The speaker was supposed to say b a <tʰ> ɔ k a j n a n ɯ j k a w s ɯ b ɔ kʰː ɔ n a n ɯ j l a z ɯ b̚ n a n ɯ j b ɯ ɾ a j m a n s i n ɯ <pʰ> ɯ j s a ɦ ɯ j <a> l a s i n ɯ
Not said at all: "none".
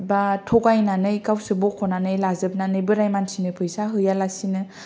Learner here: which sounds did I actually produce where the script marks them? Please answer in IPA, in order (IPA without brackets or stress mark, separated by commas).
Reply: tʰ, pʰ, a